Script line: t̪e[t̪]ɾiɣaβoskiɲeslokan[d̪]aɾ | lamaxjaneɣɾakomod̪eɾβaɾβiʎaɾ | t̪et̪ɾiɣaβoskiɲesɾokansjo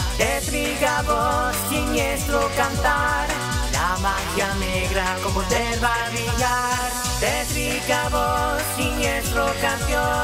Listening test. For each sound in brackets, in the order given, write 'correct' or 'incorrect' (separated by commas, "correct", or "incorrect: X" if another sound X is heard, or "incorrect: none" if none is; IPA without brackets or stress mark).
correct, incorrect: t̪